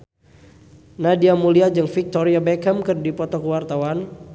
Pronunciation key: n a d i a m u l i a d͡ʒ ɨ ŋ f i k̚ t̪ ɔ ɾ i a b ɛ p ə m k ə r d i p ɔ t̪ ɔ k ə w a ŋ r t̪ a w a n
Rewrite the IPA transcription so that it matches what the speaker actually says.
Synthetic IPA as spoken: n a d i a m u l i a d͡ʒ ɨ ŋ f i k̚ t̪ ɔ ɾ i a b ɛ k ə m k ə r d i p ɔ t̪ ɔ k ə w a r t̪ a w a n